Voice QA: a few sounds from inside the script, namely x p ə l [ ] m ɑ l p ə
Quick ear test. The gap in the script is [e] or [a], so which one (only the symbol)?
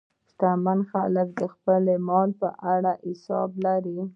e